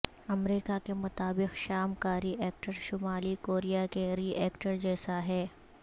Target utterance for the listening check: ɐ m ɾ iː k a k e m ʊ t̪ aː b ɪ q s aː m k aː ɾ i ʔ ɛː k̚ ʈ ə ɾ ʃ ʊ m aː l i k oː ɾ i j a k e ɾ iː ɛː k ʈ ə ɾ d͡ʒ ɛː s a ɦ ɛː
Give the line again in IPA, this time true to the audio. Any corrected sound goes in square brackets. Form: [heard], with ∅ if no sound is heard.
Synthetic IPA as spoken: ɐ m ɾ iː k a k e m ʊ t̪ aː b ɪ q [ʃ] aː m k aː ɾ i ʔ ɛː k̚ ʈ ə ɾ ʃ ʊ m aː l i k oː ɾ i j a k e ɾ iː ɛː k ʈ ə ɾ d͡ʒ ɛː s a ɦ ɛː